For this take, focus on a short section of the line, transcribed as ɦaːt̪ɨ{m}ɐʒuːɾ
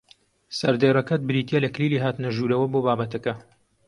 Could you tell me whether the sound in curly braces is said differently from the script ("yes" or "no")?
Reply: yes